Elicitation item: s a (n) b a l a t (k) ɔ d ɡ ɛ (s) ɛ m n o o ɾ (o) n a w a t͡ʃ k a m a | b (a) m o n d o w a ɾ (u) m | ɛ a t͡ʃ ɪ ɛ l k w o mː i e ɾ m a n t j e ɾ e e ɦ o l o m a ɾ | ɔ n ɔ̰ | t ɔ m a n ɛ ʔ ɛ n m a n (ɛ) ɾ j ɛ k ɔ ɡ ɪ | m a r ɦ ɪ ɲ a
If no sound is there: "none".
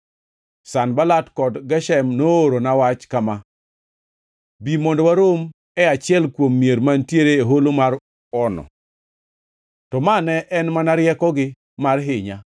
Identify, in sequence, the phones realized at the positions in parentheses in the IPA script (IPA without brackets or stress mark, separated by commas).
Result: n, k, ʃ, o, i, o, a